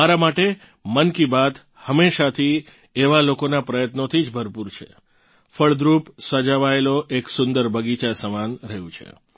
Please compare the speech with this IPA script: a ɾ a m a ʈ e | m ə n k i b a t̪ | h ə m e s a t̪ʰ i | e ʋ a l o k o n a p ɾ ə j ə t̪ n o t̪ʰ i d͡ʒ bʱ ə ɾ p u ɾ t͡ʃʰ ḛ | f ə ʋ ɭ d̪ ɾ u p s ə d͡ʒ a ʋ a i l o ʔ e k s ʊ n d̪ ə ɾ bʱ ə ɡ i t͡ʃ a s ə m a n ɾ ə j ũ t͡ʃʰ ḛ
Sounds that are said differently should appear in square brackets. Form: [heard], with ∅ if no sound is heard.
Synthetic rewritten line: a ɾ a m a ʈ e | m ə n k i b a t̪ | h ə m e [ʃ] a t̪ʰ i | e ʋ a l o k o n a p ɾ ə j ə t̪ n o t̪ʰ i d͡ʒ bʱ ə ɾ p u ɾ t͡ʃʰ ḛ | f ə [∅] ɭ d̪ ɾ u p s ə d͡ʒ a ʋ a [e] l o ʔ e k s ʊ n d̪ ə ɾ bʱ ə ɡ i t͡ʃ a s ə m a n ɾ ə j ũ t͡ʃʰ ḛ

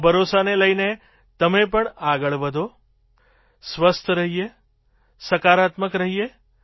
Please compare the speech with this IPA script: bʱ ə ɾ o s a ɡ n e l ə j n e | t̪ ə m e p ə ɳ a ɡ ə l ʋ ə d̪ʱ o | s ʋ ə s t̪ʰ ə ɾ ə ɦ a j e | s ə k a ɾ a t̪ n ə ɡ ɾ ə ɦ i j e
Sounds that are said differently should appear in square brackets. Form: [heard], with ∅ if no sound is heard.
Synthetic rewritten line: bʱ ə ɾ o s a [∅] n e l ə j n e | t̪ ə m e p ə ɳ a ɡ ə [ɭ] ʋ ə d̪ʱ o | s ʋ ə s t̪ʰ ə ɾ ə ɦ [i] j e | s ə k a ɾ a t̪ [m] ə [k] ɾ ə ɦ i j e

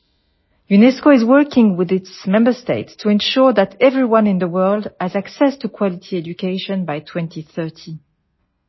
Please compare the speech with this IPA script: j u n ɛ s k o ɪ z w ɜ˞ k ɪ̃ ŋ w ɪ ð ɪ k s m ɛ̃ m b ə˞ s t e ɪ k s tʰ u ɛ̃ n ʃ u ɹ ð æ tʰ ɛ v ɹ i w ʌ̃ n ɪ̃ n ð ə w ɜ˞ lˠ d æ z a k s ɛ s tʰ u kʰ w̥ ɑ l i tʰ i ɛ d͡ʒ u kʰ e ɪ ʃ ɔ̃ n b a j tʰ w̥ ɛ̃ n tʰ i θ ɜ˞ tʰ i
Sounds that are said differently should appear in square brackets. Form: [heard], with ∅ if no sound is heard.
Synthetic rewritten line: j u n ɛ s k o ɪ z w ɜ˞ k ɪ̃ ŋ w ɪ ð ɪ [t] s m ɛ̃ m b ə˞ s t e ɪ [t] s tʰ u ɛ̃ n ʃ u ɹ ð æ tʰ ɛ v ɹ i w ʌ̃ n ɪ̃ n ð ə w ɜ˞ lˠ d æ z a k s ɛ s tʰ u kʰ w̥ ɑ l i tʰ i ɛ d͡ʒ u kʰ e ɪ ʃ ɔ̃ n b a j tʰ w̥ ɛ̃ n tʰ i θ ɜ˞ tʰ i

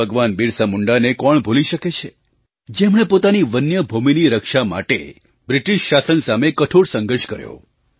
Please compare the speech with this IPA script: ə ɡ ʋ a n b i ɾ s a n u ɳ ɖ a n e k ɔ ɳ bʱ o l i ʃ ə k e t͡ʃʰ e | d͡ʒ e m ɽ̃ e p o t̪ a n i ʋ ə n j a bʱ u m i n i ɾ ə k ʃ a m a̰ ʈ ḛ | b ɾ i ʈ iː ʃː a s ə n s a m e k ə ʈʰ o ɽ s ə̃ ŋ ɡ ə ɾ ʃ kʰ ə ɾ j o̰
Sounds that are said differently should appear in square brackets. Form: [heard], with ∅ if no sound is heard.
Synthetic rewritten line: ə ɡ ʋ a n b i ɾ s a [m] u ɳ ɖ a n e k ɔ ɳ bʱ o l i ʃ ə k e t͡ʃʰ e | d͡ʒ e m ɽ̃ e p o t̪ a n i ʋ ə n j [ə] bʱ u m i n i ɾ ə k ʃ a m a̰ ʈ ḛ | b ɾ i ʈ [i] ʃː a s ə n s a m e k ə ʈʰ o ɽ s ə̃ ŋ ɡ ə ɾ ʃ [k] ə ɾ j o̰

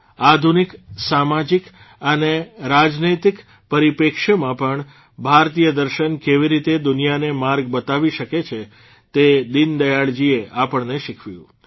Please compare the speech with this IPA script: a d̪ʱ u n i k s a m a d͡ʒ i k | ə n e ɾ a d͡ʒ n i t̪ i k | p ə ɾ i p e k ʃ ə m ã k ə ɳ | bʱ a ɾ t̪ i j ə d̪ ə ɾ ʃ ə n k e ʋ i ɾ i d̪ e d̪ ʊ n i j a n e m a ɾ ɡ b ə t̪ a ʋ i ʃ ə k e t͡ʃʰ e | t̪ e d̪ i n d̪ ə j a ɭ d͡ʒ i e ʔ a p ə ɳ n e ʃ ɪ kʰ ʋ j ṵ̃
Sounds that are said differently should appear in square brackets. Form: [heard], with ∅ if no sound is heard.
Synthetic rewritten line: a d̪ʱ u n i k s a m a d͡ʒ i k | ə n e ɾ a d͡ʒ n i t̪ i k | p ə ɾ i p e k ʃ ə m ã [p] ə ɳ | bʱ a ɾ t̪ i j ə d̪ ə ɾ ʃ ə n k e ʋ i ɾ i [t̪] e d̪ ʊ n i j a n e m a ɾ ɡ b ə t̪ a ʋ i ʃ ə k e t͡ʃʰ e | t̪ e d̪ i n d̪ ə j a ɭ d͡ʒ i e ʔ a p ə ɳ n e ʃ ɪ kʰ ʋ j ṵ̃

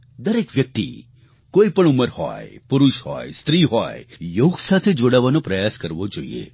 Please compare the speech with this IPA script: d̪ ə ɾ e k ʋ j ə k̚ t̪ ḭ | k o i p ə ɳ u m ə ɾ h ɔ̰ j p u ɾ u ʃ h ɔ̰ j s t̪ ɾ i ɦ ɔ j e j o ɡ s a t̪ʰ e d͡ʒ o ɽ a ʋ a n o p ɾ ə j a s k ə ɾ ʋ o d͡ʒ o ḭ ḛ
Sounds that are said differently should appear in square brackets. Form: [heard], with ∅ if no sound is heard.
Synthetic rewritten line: d̪ ə ɾ e k ʋ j ə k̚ t̪ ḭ | k o i p ə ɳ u m ə ɾ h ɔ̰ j p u ɾ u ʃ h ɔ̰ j s t̪ ɾ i ɦ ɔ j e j o ɡ s a t̪ʰ e d͡ʒ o ɽ a ʋ a n o p ɾ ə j a s k ə ɾ ʋ o d͡ʒ o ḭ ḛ

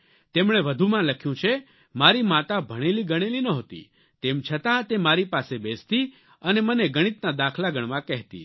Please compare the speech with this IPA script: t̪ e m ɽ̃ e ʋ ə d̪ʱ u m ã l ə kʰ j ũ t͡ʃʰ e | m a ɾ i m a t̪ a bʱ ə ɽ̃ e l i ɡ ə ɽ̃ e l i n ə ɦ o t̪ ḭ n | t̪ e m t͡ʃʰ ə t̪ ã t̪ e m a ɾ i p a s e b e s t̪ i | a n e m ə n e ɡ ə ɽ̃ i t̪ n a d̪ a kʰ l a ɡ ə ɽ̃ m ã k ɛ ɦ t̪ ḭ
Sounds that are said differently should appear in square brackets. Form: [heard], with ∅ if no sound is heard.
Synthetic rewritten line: t̪ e m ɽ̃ e ʋ ə d̪ʱ u m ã l ə kʰ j ũ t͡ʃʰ e | m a ɾ i m a t̪ a bʱ ə ɽ̃ e l i ɡ ə ɽ̃ e l i n ə ɦ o t̪ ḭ [∅] | t̪ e m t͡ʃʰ ə t̪ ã t̪ e m a ɾ i p a s e b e s t̪ i | [ə] n e m ə n e ɡ ə ɽ̃ i t̪ n a d̪ a kʰ l a ɡ ə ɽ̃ m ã k ɛ ɦ t̪ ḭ

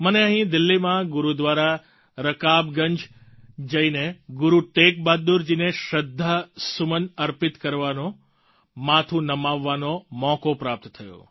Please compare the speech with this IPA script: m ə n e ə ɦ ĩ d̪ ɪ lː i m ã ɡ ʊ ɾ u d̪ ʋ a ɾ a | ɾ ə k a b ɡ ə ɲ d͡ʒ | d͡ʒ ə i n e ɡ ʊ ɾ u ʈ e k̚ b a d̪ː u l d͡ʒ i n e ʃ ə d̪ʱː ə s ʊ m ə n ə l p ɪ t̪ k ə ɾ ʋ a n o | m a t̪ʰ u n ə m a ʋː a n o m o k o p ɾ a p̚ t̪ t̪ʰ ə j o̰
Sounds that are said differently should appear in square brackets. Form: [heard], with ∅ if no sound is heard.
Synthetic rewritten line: m ə n e ə ɦ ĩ d̪ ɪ lː i m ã ɡ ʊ ɾ u d̪ ʋ a ɾ a | ɾ ə k a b ɡ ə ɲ d͡ʒ | d͡ʒ ə i n e ɡ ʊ ɾ u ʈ e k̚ b a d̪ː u [ɾ] d͡ʒ i n e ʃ ə d̪ʱː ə s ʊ m ə n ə [ɾ] p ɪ t̪ k ə ɾ ʋ a n o | m a t̪ʰ u n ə m a ʋː a n o m [ɔ] k o p ɾ a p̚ t̪ t̪ʰ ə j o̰

